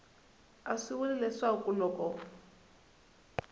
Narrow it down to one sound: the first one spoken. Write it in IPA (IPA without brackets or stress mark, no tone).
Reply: a